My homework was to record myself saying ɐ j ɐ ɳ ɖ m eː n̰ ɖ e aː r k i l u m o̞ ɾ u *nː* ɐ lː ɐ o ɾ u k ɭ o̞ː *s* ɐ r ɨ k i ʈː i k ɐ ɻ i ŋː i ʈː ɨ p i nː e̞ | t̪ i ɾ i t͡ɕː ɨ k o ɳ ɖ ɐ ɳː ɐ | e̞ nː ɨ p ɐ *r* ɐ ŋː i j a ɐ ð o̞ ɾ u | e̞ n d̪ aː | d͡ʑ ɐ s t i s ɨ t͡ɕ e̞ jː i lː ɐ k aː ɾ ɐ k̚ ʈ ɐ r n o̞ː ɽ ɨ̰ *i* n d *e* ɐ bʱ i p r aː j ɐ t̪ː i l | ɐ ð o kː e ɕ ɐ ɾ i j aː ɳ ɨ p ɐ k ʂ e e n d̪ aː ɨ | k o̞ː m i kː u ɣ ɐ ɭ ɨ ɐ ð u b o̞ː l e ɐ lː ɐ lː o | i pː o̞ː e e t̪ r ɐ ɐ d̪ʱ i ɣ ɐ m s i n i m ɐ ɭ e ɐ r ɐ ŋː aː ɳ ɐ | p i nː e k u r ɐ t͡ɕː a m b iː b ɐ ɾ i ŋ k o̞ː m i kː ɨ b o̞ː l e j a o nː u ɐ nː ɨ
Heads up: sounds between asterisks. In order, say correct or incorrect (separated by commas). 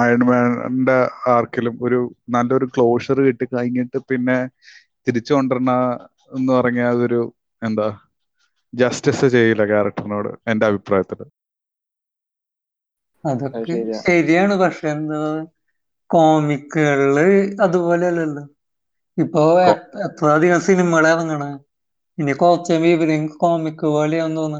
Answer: incorrect, incorrect, correct, incorrect, correct